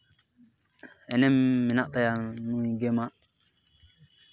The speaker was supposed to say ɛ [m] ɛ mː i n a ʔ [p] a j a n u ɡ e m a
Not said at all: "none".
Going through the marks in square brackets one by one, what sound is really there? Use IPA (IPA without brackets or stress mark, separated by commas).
n, t